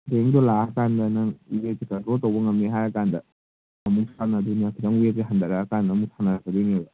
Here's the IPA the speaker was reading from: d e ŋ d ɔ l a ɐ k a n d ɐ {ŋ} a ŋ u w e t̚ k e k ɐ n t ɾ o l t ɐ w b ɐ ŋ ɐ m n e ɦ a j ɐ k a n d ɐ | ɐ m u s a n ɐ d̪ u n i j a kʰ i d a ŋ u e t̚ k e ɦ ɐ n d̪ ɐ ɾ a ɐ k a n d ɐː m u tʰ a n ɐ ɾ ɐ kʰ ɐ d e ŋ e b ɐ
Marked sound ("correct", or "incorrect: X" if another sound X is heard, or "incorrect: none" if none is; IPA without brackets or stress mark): incorrect: n